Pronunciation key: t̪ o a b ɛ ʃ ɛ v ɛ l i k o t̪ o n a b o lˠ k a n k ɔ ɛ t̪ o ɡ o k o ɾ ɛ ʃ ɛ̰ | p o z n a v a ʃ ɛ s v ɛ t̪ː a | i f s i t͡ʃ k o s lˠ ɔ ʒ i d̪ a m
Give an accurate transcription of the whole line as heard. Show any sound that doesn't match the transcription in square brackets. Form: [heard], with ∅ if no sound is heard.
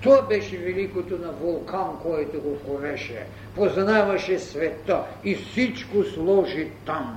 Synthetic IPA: t̪ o a b ɛ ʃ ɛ v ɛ l i k o t̪ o n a [v] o lˠ k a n k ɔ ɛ t̪ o ɡ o k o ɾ ɛ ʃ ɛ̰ | p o z n a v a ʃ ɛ s v ɛ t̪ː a | i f s i t͡ʃ k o s lˠ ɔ ʒ i [t̪] a m